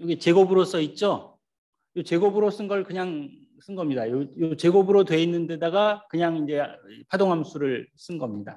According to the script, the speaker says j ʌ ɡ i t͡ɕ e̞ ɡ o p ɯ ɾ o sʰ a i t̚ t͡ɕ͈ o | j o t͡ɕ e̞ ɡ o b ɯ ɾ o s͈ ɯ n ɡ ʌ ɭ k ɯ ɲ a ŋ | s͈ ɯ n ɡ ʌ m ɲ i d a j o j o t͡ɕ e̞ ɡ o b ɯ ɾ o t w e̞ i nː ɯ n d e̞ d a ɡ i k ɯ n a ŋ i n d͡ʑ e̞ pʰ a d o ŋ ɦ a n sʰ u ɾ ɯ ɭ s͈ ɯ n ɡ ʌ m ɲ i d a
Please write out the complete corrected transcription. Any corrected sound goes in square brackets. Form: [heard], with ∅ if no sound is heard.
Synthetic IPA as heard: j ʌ ɡ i t͡ɕ e̞ ɡ o [b] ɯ ɾ o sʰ [ʌ] i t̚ t͡ɕ͈ o | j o t͡ɕ e̞ ɡ o b ɯ ɾ o s͈ ɯ n ɡ ʌ ɭ k ɯ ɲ a ŋ | s͈ ɯ n ɡ ʌ m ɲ i d a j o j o t͡ɕ e̞ ɡ o b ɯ ɾ o t w e̞ i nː ɯ n d e̞ d a ɡ [a] k ɯ [ɲ] a ŋ i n d͡ʑ e̞ pʰ a d o ŋ ɦ a [m] sʰ u ɾ ɯ ɭ s͈ ɯ n ɡ ʌ m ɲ i d a